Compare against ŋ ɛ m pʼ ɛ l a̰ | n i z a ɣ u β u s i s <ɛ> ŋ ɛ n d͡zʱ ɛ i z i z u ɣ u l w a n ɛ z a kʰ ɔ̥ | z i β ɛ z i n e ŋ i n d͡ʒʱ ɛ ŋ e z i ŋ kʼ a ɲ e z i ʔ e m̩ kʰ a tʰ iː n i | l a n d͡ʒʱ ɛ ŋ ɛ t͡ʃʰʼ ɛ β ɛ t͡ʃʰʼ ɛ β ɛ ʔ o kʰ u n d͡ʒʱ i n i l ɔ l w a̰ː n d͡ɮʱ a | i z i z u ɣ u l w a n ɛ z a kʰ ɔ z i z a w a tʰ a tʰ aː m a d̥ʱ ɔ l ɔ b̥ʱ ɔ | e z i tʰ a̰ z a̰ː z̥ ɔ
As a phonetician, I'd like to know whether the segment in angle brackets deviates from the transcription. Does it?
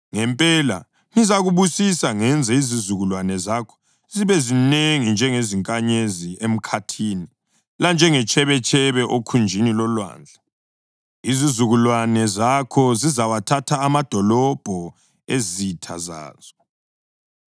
yes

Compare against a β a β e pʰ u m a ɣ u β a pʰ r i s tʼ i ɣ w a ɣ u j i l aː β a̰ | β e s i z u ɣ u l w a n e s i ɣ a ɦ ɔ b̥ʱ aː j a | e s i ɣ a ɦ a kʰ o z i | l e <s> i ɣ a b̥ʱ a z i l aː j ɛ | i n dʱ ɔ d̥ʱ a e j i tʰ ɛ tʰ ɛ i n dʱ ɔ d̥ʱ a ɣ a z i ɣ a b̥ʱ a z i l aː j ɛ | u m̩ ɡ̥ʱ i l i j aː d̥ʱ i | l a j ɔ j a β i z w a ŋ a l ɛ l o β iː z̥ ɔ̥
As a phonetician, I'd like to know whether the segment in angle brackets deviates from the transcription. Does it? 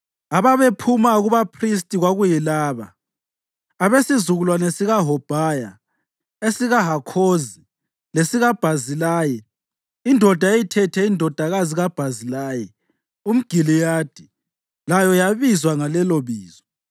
no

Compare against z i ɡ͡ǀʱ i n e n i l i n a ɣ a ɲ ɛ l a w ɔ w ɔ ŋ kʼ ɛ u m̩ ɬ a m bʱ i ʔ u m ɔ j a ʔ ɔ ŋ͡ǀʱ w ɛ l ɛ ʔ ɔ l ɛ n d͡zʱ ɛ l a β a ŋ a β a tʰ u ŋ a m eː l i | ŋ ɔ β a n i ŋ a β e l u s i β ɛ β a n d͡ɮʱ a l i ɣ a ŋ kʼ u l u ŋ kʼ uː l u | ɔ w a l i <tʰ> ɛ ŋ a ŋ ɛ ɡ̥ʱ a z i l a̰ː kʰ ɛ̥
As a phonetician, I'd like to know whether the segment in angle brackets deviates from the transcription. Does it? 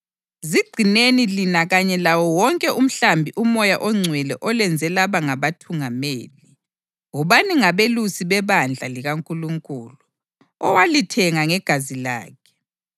no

